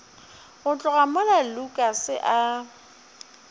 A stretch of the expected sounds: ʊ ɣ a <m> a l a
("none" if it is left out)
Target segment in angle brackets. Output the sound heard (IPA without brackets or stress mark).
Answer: m